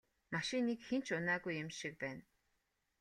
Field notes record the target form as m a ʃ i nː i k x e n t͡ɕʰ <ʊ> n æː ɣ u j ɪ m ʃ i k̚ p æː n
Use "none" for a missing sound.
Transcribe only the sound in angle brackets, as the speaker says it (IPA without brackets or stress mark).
ʊ